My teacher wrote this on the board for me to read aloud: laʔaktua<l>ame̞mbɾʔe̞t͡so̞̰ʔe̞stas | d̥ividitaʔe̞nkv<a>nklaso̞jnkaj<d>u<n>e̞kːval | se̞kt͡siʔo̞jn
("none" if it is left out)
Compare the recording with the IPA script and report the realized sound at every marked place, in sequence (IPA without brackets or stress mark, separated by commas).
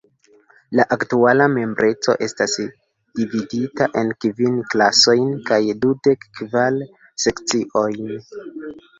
l, i, d, d